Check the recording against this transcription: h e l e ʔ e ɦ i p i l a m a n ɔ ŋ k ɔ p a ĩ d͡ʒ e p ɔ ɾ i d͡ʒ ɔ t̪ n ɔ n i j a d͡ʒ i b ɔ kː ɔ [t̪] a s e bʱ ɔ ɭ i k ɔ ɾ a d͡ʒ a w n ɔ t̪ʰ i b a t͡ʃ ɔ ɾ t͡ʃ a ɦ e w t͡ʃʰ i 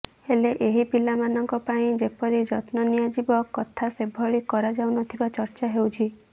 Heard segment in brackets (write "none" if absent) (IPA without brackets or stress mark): t̪ʰ